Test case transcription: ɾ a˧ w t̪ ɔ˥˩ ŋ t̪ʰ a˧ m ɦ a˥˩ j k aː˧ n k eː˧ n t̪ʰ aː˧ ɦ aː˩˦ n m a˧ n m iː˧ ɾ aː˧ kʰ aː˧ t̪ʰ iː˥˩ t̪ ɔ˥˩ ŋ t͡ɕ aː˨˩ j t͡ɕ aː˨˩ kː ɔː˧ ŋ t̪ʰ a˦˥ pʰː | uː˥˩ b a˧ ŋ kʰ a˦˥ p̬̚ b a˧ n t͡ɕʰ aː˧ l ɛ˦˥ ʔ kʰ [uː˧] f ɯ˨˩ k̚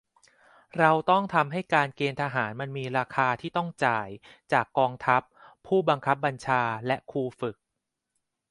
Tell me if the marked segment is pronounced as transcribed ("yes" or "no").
yes